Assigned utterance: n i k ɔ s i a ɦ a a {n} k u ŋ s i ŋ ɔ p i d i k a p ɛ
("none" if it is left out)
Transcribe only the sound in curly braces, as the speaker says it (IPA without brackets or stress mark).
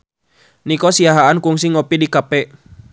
n